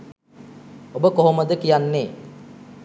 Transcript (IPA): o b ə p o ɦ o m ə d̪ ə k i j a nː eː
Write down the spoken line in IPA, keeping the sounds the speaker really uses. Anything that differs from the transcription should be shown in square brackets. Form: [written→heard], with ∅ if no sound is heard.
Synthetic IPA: o b ə [p→k] o ɦ o m ə d̪ ə k i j a nː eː